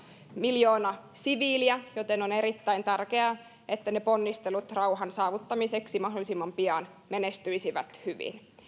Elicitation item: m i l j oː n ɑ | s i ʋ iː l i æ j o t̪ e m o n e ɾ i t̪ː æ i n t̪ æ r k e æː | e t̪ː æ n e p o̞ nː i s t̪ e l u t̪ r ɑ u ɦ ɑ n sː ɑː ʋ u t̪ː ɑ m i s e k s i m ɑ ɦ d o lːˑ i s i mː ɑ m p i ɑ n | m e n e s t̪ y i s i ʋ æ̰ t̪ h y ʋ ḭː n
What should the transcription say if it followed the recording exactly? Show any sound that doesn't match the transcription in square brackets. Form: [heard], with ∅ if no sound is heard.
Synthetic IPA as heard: m i l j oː n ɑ | s i ʋ iː l i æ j o t̪ e [n] o n e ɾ i t̪ː æ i n t̪ æ r k e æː | e t̪ː æ n e p o̞ nː i s t̪ e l u t̪ r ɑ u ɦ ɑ n [s] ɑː ʋ u t̪ː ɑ m i s e k s i m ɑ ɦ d o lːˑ i s i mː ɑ m p i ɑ n | m e n e s t̪ y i s i ʋ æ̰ t̪ h y ʋ [ḭ] n